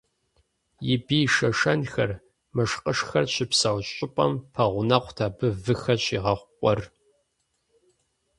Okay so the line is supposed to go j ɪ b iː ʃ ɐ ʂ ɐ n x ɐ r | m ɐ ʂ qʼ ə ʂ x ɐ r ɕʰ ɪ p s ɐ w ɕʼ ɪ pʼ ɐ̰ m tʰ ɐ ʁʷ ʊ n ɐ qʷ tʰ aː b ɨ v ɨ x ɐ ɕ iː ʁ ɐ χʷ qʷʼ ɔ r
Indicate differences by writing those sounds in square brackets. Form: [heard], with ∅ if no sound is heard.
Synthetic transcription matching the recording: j ɪ b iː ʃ ɐ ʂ ɐ n x ɐ r | m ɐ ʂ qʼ ə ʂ x ɐ r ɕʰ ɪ p s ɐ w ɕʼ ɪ pʼ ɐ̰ m [pʰ] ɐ ʁʷ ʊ n ɐ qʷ tʰ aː b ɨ v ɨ x ɐ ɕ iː ʁ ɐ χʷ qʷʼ ɔ r